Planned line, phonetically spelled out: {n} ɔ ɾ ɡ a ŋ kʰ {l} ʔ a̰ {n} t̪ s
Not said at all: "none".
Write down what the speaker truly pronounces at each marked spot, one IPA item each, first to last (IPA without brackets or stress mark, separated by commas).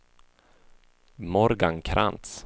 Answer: m, ɾ, n